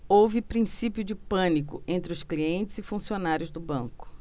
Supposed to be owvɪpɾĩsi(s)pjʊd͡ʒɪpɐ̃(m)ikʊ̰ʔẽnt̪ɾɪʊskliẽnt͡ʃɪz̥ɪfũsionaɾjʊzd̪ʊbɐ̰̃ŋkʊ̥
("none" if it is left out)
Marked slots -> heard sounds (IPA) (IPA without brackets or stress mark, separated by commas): none, n